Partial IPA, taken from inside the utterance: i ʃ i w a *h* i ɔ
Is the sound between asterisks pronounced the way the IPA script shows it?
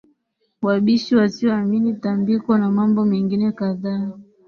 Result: no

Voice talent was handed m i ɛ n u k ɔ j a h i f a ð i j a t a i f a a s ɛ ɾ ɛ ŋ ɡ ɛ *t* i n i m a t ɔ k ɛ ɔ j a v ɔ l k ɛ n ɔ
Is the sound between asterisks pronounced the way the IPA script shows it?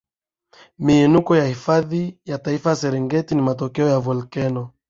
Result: yes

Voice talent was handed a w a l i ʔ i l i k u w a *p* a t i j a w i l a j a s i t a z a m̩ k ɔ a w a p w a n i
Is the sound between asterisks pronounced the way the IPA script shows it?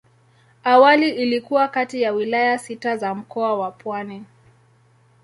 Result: no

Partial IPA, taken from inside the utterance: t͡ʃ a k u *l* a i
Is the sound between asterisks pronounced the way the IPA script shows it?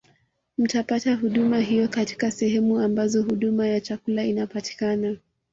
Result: yes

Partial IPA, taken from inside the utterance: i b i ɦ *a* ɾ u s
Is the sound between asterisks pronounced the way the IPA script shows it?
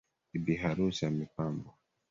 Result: yes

